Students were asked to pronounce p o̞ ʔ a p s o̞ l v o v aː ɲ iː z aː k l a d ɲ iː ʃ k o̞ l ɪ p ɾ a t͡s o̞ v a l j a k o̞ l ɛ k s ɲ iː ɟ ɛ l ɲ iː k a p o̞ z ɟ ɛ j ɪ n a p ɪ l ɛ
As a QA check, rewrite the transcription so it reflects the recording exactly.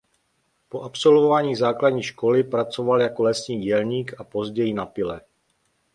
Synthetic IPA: p o̞ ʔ a p s o̞ l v o v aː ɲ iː z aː k l a d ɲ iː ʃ k o̞ l ɪ p ɾ a t͡s o̞ v a l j a k o̞ l ɛ s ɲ iː ɟ ɛ l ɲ iː k a p o̞ z ɟ ɛ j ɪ n a p ɪ l ɛ